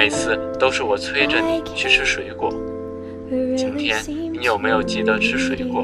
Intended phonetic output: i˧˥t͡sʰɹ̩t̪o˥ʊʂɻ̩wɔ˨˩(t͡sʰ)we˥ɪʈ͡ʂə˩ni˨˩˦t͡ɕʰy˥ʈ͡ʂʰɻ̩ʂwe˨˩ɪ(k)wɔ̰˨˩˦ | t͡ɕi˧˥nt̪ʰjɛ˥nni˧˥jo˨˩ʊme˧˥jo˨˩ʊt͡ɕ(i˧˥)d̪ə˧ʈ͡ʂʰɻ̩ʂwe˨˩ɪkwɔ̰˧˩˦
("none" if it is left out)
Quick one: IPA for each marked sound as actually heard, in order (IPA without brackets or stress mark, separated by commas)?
t͡sʰ, k, i˥˩